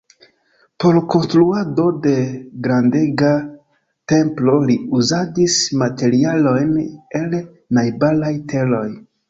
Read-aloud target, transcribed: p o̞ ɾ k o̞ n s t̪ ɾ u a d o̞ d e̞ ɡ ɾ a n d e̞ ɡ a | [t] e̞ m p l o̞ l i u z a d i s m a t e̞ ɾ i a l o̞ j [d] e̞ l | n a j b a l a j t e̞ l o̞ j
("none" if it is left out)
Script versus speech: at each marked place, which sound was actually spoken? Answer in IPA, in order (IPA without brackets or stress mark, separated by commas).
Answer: t, n